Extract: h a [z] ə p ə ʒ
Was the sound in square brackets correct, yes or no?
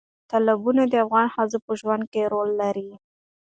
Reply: yes